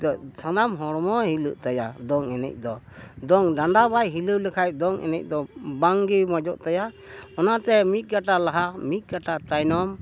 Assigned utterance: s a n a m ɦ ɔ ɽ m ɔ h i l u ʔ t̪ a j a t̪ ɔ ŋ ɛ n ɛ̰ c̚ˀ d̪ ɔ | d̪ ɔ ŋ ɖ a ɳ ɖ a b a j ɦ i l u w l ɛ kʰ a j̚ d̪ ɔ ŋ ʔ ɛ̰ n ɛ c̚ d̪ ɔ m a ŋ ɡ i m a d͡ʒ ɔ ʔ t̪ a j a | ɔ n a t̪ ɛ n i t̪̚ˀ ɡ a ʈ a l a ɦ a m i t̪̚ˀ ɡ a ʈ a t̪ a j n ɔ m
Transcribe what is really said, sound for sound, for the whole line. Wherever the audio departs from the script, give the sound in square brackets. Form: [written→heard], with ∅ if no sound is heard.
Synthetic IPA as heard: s a n a m ɦ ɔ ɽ m ɔ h i l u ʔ t̪ a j a [t̪→d̪] ɔ ŋ ɛ n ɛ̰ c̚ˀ d̪ ɔ | d̪ ɔ ŋ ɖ a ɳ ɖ a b a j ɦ i l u w l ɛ kʰ a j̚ d̪ ɔ ŋ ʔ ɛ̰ n ɛ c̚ d̪ ɔ [m→b] a ŋ ɡ i m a d͡ʒ ɔ ʔ t̪ a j a | ɔ n a t̪ ɛ [n→m] i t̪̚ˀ ɡ a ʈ a l a ɦ a m i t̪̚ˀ ɡ a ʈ a t̪ a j n ɔ m